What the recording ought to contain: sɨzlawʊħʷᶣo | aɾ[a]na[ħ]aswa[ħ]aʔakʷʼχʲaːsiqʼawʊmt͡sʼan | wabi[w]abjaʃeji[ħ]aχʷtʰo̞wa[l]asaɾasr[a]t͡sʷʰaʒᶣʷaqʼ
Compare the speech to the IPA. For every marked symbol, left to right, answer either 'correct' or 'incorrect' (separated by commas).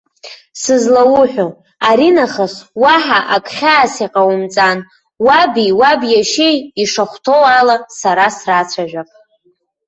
incorrect, incorrect, correct, correct, incorrect, correct, correct